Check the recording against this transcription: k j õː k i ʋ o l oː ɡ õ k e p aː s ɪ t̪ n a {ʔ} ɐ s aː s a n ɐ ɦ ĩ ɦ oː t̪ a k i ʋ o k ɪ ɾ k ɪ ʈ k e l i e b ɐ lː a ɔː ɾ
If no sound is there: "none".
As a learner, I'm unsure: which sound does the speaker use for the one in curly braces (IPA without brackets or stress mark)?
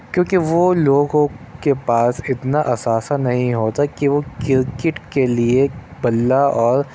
ʔ